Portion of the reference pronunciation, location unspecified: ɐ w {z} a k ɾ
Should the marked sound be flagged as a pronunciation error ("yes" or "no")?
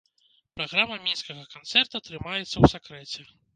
yes